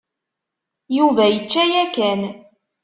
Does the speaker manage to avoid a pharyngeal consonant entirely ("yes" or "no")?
yes